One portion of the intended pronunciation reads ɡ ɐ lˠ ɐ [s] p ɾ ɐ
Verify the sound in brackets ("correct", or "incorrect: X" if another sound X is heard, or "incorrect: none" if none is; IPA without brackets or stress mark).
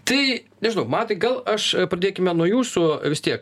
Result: incorrect: ʃ